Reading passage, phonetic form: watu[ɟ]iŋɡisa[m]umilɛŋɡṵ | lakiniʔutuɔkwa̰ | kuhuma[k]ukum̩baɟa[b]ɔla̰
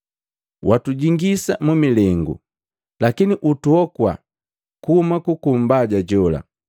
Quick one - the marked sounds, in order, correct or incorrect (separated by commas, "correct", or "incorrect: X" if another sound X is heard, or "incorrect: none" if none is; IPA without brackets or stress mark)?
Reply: correct, correct, correct, incorrect: ɟ